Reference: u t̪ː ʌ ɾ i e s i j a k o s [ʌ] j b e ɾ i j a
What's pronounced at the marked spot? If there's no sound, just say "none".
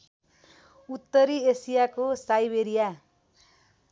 a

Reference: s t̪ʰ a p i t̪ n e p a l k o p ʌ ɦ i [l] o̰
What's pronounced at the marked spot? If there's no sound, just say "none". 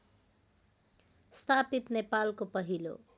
l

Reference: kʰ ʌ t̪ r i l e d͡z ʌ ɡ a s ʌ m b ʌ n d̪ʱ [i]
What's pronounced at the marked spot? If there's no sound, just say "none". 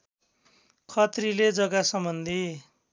i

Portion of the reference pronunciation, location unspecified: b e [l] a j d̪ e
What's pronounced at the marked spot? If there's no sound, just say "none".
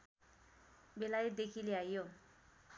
l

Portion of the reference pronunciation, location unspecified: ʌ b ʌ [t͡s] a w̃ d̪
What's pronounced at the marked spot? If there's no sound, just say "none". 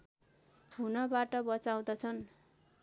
t͡s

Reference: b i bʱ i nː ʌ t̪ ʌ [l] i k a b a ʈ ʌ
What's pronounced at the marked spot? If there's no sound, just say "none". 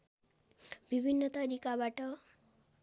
ɾ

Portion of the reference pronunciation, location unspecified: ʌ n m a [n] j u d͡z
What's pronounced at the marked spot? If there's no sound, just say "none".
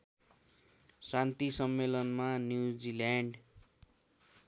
n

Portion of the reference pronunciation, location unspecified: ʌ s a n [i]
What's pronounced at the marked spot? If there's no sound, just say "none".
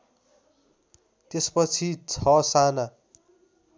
a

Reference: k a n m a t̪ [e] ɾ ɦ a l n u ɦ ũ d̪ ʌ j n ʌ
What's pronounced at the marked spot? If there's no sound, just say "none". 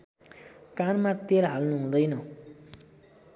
e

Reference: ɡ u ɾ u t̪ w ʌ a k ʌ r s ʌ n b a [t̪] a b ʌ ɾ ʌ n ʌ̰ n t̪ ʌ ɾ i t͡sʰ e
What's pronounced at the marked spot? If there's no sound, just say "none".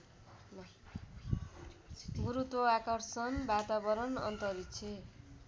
t̪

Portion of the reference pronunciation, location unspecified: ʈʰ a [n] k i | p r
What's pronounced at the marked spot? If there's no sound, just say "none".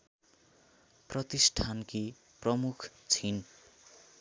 n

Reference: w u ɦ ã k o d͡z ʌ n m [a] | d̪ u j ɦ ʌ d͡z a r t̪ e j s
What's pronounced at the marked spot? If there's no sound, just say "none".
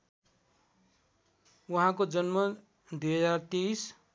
ʌ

